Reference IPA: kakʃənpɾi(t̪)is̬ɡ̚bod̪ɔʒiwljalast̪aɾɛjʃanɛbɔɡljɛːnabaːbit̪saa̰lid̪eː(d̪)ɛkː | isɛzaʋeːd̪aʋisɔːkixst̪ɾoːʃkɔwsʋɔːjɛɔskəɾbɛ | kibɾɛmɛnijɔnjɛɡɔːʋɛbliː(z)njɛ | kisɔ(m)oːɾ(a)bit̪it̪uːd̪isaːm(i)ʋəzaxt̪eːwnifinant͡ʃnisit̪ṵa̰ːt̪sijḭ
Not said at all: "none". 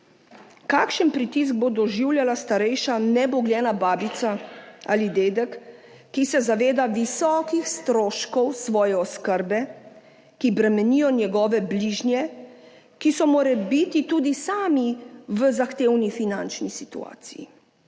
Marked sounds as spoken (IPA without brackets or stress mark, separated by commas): t̪, d̪, ʒ, m, ɛ, i